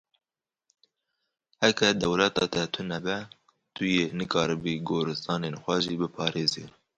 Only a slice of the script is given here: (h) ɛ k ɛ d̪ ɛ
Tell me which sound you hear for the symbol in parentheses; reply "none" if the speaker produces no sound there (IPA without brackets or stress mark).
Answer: h